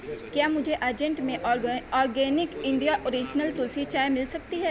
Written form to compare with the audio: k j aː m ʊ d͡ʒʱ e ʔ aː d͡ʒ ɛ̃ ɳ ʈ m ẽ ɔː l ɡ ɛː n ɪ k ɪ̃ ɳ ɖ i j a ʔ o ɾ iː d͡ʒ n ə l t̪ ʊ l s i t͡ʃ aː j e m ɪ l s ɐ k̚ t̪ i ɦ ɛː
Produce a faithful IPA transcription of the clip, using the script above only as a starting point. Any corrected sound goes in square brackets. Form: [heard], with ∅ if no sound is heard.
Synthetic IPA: k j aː m ʊ d͡ʒʱ e ʔ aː d͡ʒ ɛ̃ ɳ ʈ m ẽ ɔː [ɾ] ɡ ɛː n ɪ k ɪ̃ ɳ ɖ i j a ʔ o ɾ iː d͡ʒ n ə l t̪ ʊ l s i t͡ʃ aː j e m ɪ l s ɐ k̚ t̪ i ɦ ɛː